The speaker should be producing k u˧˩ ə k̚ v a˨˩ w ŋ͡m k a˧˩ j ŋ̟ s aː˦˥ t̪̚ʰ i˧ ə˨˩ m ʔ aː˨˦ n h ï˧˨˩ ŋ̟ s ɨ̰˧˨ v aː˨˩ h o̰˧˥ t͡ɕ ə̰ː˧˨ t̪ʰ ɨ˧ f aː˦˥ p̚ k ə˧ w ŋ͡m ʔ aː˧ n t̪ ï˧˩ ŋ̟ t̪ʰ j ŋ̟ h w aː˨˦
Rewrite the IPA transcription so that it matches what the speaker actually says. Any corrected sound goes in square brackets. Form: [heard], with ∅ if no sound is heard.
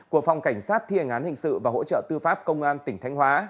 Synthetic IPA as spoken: k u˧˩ ə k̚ [f] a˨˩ w ŋ͡m k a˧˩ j ŋ̟ s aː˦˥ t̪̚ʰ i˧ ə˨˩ [ŋ] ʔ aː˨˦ n h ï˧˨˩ ŋ̟ s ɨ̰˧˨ v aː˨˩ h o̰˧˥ t͡ɕ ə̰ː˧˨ [t̪] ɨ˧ f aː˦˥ p̚ k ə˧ w ŋ͡m ʔ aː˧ n t̪ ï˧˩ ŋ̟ t̪ʰ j ŋ̟ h w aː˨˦